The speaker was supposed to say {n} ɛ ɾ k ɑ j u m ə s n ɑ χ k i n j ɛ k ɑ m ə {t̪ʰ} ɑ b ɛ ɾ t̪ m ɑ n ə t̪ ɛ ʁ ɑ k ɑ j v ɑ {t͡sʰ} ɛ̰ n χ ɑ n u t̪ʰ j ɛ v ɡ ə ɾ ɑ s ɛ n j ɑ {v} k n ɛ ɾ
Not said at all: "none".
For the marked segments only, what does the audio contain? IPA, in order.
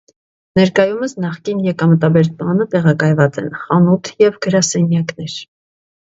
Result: n, t̪, t͡s, none

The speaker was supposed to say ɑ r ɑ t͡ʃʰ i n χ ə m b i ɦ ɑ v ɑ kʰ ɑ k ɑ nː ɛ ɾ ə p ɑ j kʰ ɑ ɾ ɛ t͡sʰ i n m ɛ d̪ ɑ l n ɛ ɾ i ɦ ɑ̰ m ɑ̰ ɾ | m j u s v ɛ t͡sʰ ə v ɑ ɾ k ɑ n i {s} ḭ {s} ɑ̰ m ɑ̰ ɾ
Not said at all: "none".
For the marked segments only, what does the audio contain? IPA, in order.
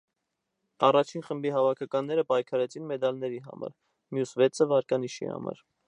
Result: ʃ, h

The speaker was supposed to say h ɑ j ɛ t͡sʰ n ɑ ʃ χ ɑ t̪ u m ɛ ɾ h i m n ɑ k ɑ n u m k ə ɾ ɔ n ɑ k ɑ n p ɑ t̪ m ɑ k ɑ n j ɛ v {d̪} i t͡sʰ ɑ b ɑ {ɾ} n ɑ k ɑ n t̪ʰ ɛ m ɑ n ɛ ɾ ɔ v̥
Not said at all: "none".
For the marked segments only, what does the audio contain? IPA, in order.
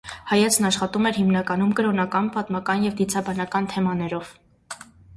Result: d̪, none

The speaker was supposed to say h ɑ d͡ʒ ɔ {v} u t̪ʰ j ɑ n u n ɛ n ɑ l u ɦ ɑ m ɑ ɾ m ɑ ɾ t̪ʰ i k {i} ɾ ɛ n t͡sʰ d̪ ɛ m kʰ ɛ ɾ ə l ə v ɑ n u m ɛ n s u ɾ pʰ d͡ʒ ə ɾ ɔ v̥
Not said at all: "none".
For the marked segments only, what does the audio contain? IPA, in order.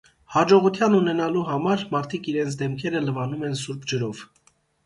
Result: ʁ, i

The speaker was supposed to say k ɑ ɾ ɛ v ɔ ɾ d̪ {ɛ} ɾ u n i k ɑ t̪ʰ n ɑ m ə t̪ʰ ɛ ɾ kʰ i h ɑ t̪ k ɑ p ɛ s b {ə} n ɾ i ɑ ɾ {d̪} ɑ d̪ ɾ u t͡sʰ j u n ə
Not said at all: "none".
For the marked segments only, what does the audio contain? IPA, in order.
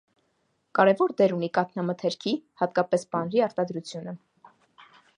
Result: ɛ, ɑ, t̪

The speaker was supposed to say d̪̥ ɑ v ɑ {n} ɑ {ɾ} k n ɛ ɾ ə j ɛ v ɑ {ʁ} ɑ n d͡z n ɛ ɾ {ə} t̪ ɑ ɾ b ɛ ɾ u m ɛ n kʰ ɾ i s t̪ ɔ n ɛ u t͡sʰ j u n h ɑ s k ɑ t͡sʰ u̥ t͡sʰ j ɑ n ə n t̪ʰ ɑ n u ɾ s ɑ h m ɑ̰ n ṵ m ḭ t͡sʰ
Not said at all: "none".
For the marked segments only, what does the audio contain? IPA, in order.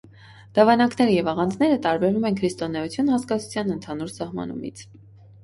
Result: n, none, ʁ, ə

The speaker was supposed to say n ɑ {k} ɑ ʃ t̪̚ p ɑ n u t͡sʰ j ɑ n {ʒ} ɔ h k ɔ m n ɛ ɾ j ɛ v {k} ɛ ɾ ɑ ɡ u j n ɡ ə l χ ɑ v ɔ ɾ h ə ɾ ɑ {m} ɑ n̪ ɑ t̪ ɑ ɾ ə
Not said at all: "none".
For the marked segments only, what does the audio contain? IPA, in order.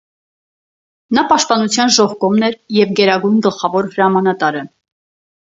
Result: p, ʒ, ɡ, m

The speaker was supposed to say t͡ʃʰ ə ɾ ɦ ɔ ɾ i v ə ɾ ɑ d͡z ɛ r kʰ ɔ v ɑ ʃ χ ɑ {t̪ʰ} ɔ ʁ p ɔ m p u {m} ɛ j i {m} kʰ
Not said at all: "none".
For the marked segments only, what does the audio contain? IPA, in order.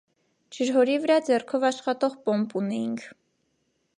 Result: t̪, n, ŋ

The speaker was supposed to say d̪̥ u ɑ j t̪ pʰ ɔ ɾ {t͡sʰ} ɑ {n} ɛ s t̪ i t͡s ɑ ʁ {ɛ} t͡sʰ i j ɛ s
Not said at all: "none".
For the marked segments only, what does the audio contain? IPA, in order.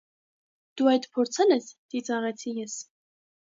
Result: t͡sʰ, n, ɛ

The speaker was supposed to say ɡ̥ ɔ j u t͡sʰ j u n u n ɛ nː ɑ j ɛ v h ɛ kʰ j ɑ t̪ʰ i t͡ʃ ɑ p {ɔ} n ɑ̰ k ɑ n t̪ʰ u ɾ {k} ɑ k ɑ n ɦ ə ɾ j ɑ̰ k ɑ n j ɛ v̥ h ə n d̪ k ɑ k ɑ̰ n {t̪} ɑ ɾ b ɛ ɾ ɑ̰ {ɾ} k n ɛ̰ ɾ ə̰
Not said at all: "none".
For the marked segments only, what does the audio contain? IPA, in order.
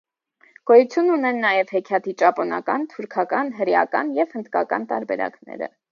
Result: ɔ, kʰ, t̪, none

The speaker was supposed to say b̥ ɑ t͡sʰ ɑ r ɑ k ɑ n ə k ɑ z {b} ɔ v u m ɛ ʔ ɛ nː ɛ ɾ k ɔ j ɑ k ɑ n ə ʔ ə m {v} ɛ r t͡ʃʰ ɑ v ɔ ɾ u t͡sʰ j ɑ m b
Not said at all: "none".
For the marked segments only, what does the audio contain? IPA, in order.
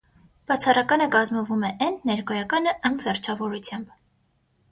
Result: m, v

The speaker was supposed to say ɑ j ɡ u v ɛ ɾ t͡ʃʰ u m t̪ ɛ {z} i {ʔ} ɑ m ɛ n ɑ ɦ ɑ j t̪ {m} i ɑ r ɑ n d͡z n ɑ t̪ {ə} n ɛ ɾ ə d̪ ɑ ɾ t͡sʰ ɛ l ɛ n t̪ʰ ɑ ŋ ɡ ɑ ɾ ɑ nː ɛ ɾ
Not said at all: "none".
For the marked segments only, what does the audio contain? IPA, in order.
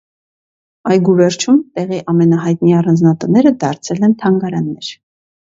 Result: ʁ, ʔ, n, ə

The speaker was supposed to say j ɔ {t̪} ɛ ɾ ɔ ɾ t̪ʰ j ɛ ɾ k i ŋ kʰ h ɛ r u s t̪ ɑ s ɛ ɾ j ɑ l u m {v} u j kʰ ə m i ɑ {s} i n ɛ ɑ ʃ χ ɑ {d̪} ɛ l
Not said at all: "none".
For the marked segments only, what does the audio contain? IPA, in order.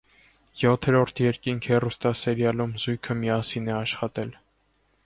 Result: t̪ʰ, z, s, t̪

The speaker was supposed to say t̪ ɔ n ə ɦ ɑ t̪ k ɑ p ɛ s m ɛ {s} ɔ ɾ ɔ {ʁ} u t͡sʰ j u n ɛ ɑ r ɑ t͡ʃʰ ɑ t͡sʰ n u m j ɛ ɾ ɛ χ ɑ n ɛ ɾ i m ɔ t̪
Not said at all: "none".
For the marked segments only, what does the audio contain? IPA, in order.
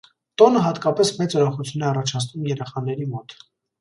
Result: t͡s, χ

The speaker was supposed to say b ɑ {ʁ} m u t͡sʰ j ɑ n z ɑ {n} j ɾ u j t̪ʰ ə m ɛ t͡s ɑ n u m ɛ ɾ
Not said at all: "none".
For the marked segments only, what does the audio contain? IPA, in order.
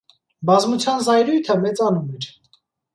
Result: z, none

